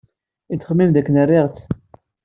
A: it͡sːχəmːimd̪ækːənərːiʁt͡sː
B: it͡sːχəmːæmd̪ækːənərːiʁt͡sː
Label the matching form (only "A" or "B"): A